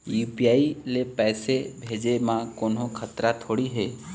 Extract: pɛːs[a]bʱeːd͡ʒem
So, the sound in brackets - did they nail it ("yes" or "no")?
no